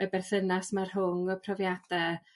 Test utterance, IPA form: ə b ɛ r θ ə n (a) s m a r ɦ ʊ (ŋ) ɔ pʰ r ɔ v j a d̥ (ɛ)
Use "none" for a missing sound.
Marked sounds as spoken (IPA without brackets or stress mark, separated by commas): a, ŋ, ɛ